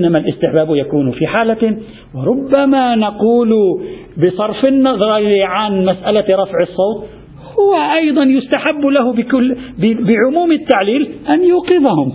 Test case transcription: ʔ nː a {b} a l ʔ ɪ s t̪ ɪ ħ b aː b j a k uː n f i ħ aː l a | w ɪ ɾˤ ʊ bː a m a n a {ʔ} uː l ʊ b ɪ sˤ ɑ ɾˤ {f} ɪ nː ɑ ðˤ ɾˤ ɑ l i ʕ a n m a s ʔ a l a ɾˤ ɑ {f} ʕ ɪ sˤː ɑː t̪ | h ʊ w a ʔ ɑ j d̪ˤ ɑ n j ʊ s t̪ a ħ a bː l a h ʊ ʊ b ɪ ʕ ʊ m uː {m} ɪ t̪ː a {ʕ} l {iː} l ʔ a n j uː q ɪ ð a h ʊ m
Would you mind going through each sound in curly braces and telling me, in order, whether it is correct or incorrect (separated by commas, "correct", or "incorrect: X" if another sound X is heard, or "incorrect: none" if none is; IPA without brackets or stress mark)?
incorrect: m, incorrect: q, correct, correct, correct, correct, correct